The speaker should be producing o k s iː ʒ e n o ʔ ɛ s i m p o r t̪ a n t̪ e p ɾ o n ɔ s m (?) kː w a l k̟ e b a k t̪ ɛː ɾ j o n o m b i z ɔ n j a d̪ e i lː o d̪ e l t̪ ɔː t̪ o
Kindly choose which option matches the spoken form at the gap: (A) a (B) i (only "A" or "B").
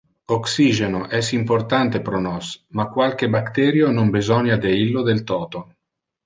A